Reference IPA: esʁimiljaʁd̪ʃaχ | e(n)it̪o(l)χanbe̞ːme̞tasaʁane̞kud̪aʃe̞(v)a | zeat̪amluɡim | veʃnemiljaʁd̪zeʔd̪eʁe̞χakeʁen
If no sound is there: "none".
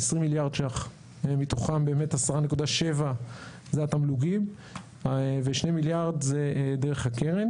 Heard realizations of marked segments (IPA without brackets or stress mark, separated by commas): m, none, v